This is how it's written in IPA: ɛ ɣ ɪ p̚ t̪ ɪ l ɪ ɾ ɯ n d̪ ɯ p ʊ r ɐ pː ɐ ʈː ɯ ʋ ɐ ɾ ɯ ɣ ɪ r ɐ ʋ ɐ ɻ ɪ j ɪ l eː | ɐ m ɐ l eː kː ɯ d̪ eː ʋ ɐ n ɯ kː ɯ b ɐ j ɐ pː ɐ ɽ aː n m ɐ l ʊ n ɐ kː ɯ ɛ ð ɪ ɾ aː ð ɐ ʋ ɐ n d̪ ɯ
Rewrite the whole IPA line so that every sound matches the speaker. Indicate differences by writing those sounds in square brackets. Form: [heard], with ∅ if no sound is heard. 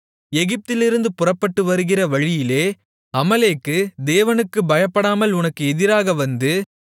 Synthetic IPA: ɛ ɣ ɪ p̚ t̪ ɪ l ɪ ɾ ɯ n d̪ ɯ p ʊ r ɐ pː ɐ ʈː ɯ ʋ ɐ ɾ ɯ ɣ ɪ r ɐ ʋ ɐ ɻ ɪ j ɪ l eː | ɐ m ɐ l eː kː ɯ d̪ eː ʋ ɐ n ɯ kː ɯ b ɐ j ɐ pː ɐ ɽ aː [∅] m ɐ l ʊ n ɐ kː ɯ ɛ ð ɪ ɾ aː [ɣ] ɐ ʋ ɐ n d̪ ɯ